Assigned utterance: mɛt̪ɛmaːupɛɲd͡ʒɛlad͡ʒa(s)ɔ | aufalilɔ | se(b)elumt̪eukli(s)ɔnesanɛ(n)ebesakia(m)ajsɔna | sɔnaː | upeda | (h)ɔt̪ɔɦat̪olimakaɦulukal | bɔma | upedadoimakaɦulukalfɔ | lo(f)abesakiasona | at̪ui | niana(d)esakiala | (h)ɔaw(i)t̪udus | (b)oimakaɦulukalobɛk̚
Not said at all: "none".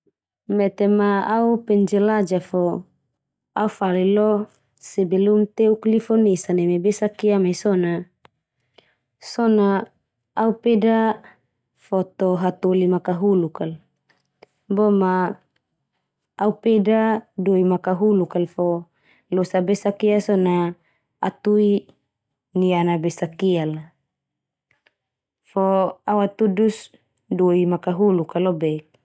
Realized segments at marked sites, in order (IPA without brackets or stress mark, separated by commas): f, b, f, m, m, f, s, b, f, a, d